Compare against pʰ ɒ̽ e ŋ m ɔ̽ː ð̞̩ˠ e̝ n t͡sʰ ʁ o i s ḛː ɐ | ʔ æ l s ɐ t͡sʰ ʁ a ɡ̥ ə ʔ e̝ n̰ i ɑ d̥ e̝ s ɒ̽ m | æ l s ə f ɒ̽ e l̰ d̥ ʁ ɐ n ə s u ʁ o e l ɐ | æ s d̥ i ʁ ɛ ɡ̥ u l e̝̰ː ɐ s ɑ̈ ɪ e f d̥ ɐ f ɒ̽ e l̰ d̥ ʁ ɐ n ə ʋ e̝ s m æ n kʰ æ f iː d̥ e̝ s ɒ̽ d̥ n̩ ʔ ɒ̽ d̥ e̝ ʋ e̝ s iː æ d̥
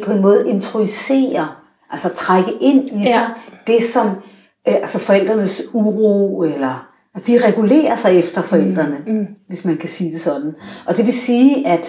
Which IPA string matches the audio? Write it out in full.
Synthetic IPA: pʰ ɒ̽ e n m ɔ̽ː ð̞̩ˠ e̝ n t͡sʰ ʁ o i s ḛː ɐ | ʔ æ l s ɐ t͡sʰ ʁ a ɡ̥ ə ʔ e̝ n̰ i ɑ d̥ e̝ s ɒ̽ m | æ l s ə f ɒ̽ e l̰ d̥ ʁ ɐ n ə s u ʁ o e l ɐ | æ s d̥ i ʁ ɛ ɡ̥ u l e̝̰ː ɐ s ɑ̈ ɪ e f d̥ ɐ f ɒ̽ e l̰ d̥ ʁ ɐ n ə ʋ e̝ s m æ n kʰ æ s iː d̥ e̝ s ɒ̽ d̥ n̩ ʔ ɒ̽ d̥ e̝ ʋ e̝ s iː æ d̥